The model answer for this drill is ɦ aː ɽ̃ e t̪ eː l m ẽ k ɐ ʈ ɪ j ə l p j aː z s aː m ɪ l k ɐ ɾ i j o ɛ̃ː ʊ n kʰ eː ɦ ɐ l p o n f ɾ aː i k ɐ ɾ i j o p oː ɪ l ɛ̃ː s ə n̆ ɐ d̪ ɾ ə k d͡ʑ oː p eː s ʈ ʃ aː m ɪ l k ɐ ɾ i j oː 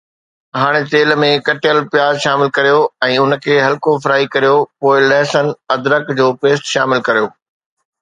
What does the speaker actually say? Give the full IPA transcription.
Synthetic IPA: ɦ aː ɽ̃ e t̪ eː l m ẽ k ɐ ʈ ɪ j ə l p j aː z ʃ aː m ɪ l k ɐ ɾ i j o ɛ̃ː ʊ n kʰ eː ɦ ɐ l k o f ɾ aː i k ɐ ɾ i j o p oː ɪ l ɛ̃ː s ə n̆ ɐ d̪ ɾ ə k d͡ʑ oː p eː s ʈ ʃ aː m ɪ l k ɐ ɾ i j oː